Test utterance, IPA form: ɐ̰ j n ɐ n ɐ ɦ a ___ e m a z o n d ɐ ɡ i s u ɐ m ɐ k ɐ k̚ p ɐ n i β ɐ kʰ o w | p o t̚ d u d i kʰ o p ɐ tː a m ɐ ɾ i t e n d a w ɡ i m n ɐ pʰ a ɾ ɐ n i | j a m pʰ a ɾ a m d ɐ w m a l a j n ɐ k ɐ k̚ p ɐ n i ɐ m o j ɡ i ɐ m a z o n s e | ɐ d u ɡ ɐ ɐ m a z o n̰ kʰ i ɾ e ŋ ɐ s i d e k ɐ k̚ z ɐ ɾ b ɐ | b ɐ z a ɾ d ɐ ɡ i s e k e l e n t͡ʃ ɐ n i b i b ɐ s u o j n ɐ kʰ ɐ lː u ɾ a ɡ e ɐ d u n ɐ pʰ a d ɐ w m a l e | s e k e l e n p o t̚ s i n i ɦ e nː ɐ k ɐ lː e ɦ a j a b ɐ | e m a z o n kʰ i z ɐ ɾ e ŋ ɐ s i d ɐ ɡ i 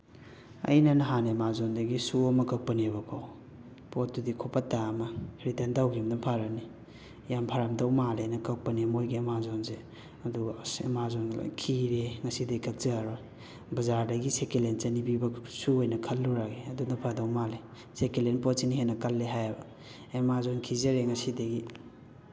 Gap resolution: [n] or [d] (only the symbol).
n